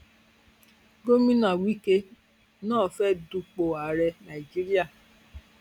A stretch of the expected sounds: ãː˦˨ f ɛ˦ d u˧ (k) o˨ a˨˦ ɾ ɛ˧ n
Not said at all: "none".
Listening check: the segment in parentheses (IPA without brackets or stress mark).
k͡p